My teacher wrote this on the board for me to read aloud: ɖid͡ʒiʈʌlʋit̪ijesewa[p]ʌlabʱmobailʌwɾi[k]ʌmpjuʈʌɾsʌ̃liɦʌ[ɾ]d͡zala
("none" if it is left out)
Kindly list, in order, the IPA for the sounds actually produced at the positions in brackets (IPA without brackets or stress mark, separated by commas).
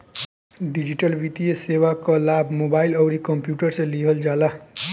k, k, l